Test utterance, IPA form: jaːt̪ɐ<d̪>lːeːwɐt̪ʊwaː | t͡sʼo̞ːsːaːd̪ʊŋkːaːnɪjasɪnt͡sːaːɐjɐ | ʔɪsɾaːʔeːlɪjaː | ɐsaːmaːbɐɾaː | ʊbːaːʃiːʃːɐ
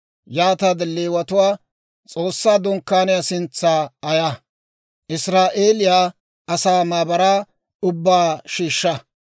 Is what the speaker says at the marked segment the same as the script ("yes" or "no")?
yes